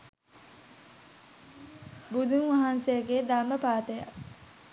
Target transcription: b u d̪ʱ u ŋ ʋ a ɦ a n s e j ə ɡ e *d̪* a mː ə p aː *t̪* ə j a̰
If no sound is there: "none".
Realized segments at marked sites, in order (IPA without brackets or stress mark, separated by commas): d̪, t̪